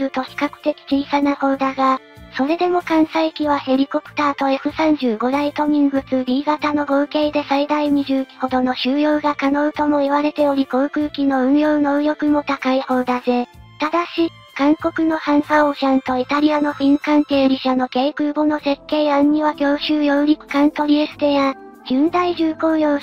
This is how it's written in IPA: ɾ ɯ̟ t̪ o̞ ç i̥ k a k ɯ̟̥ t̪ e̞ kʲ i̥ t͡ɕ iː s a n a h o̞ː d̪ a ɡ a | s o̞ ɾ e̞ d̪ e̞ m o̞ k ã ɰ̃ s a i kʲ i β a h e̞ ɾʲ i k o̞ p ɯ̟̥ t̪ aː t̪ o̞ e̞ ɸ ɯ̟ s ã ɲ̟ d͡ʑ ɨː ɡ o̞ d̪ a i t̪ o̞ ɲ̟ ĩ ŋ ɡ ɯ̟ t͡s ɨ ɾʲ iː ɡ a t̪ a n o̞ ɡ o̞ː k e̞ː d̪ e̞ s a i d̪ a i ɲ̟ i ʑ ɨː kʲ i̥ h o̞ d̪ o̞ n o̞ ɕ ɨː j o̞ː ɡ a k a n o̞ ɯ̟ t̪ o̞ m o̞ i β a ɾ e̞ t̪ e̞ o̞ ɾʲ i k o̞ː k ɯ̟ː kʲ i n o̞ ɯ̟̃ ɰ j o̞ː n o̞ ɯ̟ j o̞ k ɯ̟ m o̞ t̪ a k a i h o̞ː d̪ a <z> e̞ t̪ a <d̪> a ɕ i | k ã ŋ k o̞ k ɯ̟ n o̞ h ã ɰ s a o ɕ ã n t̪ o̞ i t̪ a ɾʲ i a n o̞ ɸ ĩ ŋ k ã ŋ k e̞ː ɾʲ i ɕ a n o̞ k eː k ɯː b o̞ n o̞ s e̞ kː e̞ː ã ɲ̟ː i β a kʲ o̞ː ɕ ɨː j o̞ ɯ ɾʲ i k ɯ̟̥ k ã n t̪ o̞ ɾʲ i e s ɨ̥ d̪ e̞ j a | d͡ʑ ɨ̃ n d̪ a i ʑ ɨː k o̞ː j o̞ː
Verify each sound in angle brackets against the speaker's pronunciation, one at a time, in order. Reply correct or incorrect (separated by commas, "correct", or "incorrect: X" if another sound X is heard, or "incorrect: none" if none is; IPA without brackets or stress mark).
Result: correct, correct